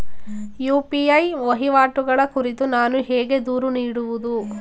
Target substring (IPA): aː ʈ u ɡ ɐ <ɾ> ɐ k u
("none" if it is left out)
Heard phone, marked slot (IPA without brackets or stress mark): ɭ